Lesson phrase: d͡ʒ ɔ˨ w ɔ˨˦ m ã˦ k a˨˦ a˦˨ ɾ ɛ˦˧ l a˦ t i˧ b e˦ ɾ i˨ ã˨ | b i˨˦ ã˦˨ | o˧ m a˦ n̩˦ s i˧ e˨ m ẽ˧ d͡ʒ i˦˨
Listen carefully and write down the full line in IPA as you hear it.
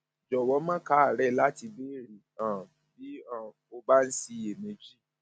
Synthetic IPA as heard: d͡ʒ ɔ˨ w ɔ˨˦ m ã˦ k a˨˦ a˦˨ ɾ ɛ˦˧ l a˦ t i˧ b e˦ ɾ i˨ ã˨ | b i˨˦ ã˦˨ | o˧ b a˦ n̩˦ s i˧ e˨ m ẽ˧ d͡ʒ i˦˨